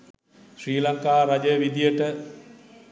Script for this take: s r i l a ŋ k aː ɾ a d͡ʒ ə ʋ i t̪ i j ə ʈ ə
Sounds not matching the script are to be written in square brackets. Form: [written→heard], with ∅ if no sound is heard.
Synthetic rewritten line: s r [i→iː] l a ŋ k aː ɾ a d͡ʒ ə ʋ i [t̪→d̪] i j ə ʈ ə